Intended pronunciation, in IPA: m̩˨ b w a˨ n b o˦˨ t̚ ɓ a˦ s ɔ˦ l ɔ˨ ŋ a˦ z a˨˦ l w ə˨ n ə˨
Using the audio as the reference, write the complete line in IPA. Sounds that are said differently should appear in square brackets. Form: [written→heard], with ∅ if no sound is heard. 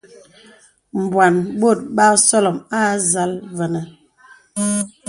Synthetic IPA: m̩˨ b w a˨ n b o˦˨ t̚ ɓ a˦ s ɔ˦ l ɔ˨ [ŋ→m] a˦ z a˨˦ l [w→v] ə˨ n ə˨